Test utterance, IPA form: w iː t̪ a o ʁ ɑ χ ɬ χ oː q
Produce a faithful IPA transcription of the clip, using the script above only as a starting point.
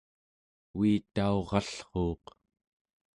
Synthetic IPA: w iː t̪ a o ʁ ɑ ɬ χ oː q